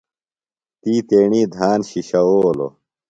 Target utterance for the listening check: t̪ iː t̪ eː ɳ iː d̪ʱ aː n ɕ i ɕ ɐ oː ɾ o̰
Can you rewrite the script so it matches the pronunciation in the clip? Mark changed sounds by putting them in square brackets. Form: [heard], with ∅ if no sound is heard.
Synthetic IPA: t̪ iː t̪ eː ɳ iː d̪ʱ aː n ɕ i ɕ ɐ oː [l] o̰